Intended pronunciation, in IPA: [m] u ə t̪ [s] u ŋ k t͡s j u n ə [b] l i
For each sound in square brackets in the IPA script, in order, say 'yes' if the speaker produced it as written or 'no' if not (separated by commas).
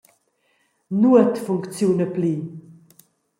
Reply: no, no, no